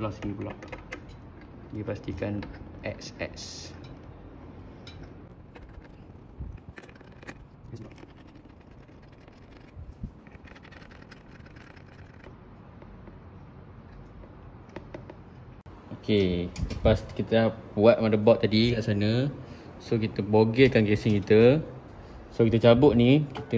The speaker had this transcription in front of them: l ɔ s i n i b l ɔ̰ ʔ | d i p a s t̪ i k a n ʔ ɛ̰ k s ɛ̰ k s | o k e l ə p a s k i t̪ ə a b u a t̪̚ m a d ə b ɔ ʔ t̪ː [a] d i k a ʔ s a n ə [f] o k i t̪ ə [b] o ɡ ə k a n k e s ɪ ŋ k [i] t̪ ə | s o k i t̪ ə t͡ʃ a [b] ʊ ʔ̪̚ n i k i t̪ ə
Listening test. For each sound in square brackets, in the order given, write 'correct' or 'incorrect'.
correct, incorrect, correct, correct, correct

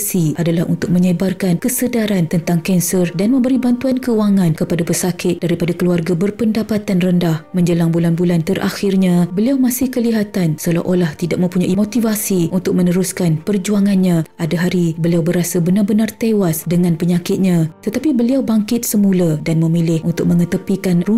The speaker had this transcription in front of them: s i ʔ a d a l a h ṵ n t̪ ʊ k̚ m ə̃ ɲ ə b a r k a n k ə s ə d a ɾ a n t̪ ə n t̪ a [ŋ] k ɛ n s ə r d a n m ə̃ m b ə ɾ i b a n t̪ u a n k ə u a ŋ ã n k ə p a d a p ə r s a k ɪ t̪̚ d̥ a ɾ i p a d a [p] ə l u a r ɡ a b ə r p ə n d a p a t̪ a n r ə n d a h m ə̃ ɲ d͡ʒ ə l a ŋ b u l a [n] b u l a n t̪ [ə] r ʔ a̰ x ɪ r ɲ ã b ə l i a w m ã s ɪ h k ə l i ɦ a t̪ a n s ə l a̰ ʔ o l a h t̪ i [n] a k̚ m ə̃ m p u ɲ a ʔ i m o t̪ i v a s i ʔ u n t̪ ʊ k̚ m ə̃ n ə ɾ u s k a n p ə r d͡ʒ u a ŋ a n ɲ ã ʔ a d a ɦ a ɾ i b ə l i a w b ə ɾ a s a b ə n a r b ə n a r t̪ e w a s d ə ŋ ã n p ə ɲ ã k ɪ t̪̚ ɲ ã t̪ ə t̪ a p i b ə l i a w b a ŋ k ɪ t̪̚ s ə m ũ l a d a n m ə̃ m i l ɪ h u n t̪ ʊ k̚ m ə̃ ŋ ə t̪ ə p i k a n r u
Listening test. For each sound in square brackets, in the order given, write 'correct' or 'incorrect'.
correct, incorrect, correct, correct, incorrect

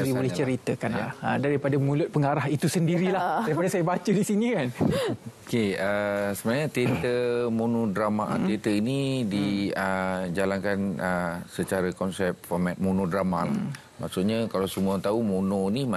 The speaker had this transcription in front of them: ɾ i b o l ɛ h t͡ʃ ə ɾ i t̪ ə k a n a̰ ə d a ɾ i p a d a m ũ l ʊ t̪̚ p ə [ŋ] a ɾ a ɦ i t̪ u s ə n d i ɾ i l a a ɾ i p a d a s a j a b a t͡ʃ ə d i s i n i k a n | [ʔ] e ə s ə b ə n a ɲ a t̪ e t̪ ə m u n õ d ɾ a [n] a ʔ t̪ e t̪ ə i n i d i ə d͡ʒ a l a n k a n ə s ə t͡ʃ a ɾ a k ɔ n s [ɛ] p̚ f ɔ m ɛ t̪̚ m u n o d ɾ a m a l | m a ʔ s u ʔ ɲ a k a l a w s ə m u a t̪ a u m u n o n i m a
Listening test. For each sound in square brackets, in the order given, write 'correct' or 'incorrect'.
correct, incorrect, incorrect, correct

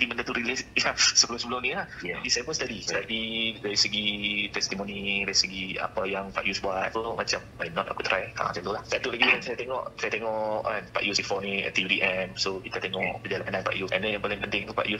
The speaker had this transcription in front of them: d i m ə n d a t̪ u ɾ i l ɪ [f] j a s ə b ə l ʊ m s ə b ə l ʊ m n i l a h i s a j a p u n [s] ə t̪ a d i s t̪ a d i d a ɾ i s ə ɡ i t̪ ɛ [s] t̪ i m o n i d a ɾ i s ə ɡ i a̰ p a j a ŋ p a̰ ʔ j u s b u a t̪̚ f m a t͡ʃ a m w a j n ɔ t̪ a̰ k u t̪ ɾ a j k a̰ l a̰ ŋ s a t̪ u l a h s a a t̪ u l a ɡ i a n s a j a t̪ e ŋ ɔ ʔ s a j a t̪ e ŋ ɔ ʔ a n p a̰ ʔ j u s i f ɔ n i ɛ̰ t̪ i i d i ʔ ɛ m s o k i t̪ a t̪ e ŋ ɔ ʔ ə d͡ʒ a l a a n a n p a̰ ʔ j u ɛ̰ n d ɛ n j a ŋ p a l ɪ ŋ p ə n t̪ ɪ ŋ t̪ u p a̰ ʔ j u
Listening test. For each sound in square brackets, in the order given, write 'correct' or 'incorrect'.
incorrect, correct, correct

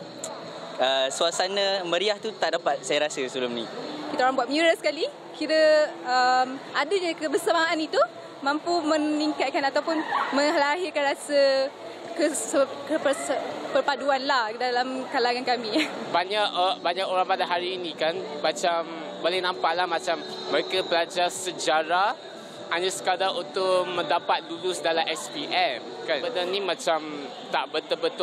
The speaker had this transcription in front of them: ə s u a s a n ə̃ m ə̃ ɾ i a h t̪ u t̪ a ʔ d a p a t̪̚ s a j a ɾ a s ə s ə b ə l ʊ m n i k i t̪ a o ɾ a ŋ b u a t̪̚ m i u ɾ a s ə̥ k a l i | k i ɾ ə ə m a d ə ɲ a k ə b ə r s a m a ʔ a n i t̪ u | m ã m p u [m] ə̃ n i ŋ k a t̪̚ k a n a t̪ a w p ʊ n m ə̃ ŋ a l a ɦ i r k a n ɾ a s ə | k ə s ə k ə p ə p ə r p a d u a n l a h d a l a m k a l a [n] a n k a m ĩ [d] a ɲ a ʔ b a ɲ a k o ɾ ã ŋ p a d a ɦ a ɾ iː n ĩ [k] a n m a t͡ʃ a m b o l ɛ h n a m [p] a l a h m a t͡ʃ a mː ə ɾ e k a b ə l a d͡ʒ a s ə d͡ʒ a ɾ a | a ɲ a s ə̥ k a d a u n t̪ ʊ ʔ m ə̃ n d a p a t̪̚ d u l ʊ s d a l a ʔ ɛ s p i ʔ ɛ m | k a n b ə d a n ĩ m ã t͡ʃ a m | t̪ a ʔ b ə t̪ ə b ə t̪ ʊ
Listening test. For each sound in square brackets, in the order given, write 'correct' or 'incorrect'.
correct, incorrect, incorrect, correct, correct

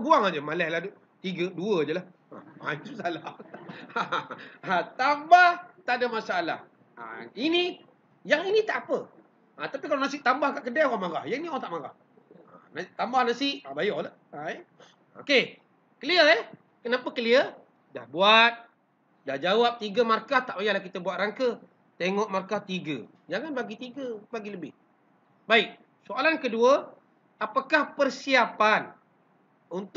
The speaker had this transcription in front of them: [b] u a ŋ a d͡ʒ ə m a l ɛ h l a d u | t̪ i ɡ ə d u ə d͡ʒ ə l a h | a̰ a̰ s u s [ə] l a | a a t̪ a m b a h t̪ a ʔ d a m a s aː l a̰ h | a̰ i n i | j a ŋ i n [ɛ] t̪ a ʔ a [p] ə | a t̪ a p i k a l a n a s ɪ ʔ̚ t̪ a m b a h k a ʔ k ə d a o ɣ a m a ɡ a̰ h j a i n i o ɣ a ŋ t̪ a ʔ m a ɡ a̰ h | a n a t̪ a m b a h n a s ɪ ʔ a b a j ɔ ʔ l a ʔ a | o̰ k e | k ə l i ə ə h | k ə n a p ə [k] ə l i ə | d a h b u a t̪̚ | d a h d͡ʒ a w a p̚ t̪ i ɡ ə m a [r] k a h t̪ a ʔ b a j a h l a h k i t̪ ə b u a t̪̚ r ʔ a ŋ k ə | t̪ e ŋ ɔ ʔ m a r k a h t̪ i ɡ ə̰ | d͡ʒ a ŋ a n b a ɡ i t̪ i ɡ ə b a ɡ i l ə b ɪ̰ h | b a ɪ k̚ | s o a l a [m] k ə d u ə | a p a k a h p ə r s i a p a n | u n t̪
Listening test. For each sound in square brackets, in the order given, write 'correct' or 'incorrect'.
correct, incorrect, incorrect, correct, correct, correct, incorrect

